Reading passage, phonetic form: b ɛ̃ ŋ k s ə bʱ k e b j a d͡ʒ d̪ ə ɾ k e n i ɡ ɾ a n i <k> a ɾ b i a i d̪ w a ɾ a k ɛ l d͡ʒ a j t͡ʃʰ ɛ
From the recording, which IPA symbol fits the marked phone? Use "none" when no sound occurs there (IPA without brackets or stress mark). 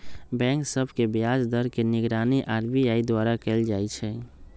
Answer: ʔ